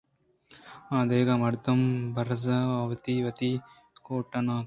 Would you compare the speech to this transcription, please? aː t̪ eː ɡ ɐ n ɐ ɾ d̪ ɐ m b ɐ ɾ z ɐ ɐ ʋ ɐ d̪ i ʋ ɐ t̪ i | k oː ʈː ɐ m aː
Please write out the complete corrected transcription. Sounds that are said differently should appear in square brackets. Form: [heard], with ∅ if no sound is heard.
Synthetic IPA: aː [d̪] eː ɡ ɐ [m] ɐ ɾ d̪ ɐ m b ɐ ɾ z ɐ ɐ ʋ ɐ [t̪] i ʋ ɐ t̪ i | k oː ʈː ɐ [n] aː